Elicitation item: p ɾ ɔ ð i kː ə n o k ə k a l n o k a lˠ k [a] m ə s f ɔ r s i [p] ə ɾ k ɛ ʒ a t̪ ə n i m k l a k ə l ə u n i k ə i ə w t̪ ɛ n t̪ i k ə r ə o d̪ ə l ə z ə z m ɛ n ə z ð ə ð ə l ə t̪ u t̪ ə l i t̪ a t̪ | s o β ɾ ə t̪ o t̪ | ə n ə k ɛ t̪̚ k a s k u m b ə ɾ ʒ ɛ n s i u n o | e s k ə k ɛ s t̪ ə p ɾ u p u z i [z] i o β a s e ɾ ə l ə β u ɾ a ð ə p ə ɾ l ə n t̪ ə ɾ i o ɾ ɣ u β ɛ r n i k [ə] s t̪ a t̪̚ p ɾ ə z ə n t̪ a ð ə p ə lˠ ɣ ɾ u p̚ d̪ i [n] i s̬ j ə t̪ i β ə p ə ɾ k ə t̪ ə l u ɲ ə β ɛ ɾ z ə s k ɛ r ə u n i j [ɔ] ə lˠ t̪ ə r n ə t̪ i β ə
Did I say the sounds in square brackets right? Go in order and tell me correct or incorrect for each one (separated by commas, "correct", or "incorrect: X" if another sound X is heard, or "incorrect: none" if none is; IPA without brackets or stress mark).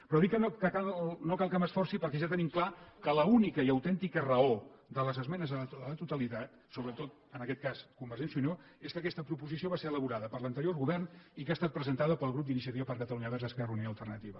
correct, correct, incorrect: s, incorrect: a, correct, incorrect: o